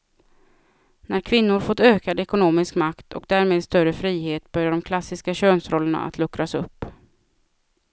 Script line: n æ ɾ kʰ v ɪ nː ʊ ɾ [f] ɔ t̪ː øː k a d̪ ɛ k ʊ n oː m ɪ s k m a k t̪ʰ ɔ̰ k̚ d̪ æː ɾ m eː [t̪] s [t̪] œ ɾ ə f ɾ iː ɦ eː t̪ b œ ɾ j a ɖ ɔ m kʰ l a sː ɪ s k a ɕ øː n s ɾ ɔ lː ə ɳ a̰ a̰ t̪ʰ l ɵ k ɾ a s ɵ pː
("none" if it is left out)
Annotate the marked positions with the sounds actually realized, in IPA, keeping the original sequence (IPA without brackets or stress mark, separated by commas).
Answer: f, d̪, t̪